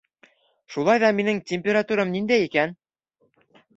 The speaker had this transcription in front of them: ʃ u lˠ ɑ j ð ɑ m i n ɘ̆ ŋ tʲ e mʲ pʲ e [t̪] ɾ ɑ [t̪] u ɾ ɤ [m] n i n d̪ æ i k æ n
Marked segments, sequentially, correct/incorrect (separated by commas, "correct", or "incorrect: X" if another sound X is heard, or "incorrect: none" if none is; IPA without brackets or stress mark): incorrect: none, correct, correct